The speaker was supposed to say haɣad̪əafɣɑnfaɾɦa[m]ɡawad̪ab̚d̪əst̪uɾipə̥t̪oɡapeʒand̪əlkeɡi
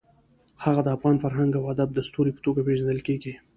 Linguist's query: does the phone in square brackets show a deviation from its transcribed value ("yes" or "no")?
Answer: yes